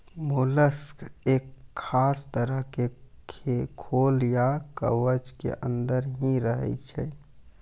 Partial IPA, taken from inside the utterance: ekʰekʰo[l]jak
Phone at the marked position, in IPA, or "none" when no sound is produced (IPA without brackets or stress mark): l